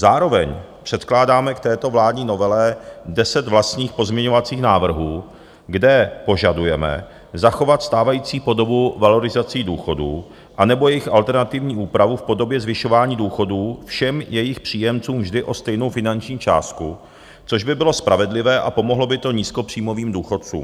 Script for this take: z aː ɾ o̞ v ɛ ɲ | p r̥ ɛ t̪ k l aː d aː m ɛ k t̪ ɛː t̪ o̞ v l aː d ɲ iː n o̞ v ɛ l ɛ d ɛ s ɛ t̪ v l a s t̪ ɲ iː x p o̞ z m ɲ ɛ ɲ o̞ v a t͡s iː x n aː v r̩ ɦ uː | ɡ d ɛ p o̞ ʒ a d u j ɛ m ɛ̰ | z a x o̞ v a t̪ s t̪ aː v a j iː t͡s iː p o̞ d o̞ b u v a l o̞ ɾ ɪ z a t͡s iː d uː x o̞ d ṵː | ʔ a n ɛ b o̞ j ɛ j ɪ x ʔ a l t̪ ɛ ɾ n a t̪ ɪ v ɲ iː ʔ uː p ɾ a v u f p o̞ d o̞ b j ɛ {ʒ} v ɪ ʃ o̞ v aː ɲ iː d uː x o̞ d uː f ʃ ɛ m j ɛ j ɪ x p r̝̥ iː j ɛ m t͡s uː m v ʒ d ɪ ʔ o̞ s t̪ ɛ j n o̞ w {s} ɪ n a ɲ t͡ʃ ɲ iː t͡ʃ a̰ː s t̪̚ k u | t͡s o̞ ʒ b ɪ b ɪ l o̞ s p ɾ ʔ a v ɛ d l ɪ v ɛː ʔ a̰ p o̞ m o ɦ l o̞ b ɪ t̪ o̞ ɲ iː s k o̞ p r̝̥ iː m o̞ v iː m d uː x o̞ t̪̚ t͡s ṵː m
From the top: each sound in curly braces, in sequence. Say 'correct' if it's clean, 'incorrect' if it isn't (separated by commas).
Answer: incorrect, incorrect